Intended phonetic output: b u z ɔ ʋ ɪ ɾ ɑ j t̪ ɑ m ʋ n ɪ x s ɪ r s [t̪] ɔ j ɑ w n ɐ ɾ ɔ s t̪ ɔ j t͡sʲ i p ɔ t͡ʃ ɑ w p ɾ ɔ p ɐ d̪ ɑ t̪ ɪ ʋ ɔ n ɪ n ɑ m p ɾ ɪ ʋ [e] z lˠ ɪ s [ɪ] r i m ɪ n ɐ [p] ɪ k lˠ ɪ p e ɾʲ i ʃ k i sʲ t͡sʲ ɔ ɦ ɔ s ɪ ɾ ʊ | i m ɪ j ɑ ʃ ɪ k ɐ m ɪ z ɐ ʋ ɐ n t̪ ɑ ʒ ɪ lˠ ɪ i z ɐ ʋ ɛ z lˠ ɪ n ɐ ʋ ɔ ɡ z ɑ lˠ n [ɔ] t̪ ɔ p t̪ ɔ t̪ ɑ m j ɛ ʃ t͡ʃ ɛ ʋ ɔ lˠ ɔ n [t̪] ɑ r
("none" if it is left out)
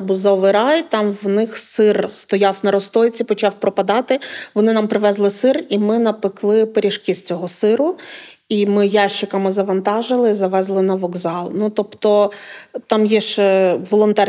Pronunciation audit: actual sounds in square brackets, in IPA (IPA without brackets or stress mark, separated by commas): t̪, ɛ, ɪ, p, u, t̪